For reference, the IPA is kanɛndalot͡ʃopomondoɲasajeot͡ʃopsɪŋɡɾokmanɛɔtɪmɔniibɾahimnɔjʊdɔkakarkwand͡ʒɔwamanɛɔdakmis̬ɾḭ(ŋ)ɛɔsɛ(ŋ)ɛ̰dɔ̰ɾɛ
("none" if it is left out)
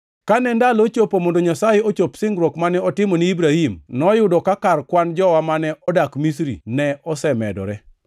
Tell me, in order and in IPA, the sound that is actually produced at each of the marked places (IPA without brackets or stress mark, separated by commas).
n, m